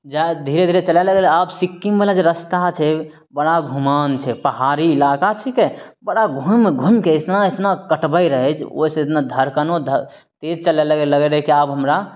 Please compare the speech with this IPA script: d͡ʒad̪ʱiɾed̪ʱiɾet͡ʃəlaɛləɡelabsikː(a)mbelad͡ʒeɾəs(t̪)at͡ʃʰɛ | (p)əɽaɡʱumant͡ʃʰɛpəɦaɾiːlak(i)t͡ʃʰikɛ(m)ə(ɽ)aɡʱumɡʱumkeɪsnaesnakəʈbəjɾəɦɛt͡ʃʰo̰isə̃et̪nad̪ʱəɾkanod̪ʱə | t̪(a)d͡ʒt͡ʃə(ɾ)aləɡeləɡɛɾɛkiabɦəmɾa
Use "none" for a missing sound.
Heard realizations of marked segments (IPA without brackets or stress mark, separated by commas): i, t̪, b, a, b, ɽ, e, l